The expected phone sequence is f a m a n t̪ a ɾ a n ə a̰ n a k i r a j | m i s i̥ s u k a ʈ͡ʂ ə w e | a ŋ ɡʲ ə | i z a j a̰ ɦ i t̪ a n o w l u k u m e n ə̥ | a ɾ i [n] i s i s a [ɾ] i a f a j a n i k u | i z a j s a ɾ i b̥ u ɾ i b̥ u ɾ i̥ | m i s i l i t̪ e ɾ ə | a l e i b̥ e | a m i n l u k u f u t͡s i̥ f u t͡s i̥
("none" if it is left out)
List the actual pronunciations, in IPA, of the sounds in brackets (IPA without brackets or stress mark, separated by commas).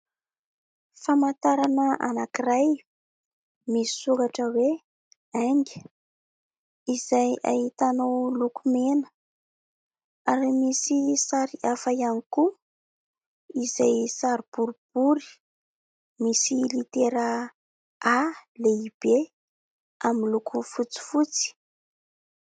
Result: m, ɾ